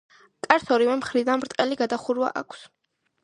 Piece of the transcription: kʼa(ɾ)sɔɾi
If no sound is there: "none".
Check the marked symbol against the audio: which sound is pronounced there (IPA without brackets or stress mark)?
ɾ